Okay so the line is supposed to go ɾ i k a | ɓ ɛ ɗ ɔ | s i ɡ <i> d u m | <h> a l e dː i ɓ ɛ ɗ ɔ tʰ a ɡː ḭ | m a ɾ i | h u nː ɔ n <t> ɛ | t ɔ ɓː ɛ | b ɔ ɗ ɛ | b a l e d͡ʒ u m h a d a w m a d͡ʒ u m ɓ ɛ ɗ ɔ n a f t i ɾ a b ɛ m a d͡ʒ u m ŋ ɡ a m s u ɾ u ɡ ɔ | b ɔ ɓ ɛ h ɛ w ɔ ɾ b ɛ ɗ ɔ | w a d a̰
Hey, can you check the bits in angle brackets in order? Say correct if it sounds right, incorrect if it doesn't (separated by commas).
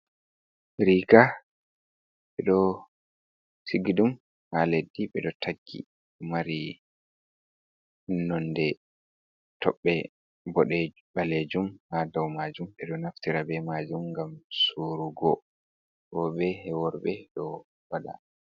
correct, correct, incorrect